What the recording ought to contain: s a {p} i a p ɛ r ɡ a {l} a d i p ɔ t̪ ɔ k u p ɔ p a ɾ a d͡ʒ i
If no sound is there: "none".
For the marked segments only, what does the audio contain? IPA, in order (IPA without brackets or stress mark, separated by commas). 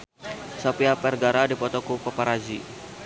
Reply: p, ɾ